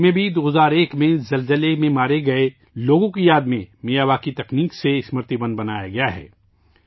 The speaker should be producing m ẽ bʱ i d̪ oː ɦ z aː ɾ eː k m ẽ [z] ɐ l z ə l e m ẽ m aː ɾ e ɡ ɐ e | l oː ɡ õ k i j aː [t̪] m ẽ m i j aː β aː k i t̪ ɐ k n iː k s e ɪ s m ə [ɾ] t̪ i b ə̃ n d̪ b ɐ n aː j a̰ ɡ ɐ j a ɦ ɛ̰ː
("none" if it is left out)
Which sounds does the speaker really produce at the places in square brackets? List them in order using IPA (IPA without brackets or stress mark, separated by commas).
z, d̪, ɾ